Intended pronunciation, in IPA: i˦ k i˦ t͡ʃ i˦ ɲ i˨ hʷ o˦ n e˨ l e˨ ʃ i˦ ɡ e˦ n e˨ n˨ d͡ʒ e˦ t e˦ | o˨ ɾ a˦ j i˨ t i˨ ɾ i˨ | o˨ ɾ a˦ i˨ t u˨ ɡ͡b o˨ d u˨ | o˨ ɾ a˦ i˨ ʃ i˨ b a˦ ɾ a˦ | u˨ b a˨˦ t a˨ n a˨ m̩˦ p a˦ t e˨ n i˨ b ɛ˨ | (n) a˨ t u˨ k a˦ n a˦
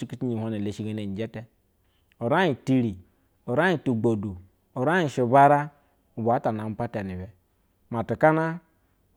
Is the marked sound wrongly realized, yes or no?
yes